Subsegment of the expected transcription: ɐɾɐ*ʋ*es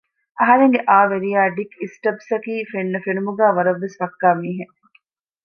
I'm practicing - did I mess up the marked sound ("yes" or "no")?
yes